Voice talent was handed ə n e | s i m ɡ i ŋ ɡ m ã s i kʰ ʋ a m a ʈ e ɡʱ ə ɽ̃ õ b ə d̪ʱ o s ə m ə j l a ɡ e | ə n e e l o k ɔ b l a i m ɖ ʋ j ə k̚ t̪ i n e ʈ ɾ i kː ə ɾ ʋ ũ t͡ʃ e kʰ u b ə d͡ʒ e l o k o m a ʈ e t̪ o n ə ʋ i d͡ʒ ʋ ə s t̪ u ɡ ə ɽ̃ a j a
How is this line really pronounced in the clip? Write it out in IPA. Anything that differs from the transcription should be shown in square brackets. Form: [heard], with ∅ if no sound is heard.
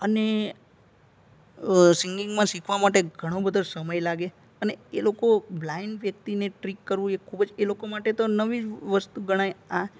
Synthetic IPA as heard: ə n e | s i [ŋ] ɡ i ŋ ɡ m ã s i kʰ ʋ a m a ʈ e ɡʱ ə ɽ̃ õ b ə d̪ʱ o s ə m ə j l a ɡ e | ə n e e l o k [o] b l a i [ɳ] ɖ ʋ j ə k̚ t̪ i n e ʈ ɾ i kː ə ɾ ʋ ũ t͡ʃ e kʰ u b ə d͡ʒ e l o k o m a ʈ e t̪ o n ə ʋ i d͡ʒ ʋ ə s t̪ u ɡ ə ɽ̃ a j a

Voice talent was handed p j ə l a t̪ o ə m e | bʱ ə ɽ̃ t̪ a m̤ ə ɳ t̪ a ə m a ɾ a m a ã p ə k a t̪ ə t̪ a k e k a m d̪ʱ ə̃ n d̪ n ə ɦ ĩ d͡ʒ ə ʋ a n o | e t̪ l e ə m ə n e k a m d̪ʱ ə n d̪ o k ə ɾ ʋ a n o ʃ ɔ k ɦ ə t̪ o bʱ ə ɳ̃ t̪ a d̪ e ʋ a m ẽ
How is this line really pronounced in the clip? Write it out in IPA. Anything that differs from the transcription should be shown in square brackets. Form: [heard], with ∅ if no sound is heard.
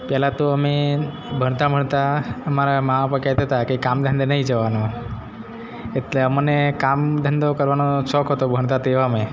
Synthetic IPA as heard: p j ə l a t̪ o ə m e | bʱ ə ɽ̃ t̪ a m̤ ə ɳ t̪ a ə m a ɾ a m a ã p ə k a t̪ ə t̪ a k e k a m d̪ʱ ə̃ n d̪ n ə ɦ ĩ d͡ʒ ə ʋ a n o | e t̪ l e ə m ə n e k a m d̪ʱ ə n d̪ o k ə ɾ ʋ a n o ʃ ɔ k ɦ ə t̪ o bʱ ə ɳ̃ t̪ a [t̪] e ʋ a m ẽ

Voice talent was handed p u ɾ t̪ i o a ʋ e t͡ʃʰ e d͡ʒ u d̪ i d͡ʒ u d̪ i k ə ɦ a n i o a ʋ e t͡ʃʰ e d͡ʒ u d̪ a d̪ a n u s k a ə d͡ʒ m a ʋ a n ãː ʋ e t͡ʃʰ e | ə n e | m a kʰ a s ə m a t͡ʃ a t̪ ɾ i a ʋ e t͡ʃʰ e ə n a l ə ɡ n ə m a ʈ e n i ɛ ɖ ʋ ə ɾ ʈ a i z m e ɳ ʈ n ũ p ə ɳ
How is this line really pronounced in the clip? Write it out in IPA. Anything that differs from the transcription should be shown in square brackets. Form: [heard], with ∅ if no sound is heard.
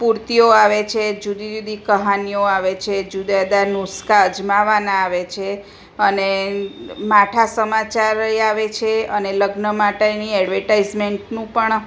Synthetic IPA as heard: p u ɾ t̪ i o a ʋ e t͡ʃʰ e d͡ʒ u d̪ i d͡ʒ u d̪ i k ə ɦ a n i o a ʋ e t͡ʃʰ e d͡ʒ u d̪ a d̪ a n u s k a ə d͡ʒ m a ʋ a n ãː ʋ e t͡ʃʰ e | ə n e | m a [ʈʰ] a s ə m a t͡ʃ a [∅] ɾ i a ʋ e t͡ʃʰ e ə n [e] l ə ɡ n ə m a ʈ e n i ɛ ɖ ʋ ə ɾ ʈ a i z m e ɳ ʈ n ũ p ə ɳ

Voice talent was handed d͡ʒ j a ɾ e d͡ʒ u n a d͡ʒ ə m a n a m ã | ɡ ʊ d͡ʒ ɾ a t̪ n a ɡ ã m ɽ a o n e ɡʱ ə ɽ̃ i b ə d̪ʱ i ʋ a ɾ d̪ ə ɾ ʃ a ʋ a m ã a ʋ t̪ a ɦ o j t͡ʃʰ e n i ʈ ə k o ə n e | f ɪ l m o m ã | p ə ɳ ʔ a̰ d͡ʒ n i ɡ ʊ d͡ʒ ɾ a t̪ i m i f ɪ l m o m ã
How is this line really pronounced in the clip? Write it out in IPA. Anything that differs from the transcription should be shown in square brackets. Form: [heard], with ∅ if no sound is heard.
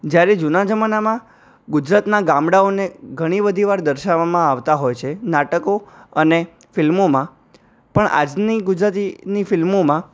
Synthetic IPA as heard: d͡ʒ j a ɾ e d͡ʒ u n a d͡ʒ ə m a n a m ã | ɡ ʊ d͡ʒ ɾ a t̪ n a ɡ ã m ɽ a o n e ɡʱ ə ɽ̃ i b ə d̪ʱ i ʋ a ɾ d̪ ə ɾ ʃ a ʋ a m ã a ʋ t̪ a ɦ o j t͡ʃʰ e n [a] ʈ ə k o ə n e | f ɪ l m o m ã | p ə ɳ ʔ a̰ d͡ʒ n i ɡ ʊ d͡ʒ ɾ a t̪ i [n] i f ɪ l m o m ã

